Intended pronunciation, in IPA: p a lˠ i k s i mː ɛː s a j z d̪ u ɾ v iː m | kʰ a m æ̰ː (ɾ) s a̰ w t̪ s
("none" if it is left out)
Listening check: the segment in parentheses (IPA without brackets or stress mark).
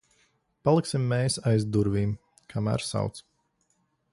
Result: ɾ